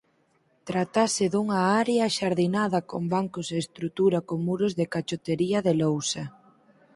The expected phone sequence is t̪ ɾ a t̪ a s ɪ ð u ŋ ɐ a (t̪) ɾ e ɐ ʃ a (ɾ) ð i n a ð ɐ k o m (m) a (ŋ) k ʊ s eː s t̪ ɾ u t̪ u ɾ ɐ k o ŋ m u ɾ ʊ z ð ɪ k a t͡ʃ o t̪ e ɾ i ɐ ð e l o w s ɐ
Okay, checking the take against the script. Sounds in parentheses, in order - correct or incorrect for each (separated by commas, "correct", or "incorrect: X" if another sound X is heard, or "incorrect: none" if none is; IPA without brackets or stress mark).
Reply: incorrect: none, correct, incorrect: b, correct